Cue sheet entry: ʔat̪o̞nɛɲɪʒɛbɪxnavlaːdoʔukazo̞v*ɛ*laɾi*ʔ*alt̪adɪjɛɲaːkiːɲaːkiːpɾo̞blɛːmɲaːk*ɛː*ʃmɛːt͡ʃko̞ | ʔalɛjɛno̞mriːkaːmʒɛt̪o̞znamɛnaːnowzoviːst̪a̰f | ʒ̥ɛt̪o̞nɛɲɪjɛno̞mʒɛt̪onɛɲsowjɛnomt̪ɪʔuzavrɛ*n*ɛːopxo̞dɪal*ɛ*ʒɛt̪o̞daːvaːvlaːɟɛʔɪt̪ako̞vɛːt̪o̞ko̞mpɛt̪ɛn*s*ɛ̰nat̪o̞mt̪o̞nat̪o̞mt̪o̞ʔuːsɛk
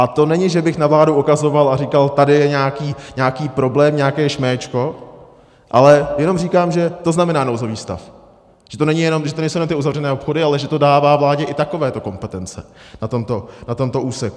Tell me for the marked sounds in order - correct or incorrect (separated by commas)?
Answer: incorrect, incorrect, correct, correct, correct, incorrect